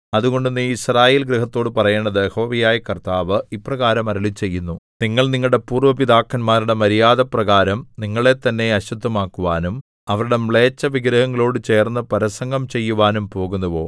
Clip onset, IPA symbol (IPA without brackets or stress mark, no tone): ɐ